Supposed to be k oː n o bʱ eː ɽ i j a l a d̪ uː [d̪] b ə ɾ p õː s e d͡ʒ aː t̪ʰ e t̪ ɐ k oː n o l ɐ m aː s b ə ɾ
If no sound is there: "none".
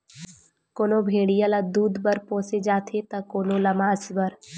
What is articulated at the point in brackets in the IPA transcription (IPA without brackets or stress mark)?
d̪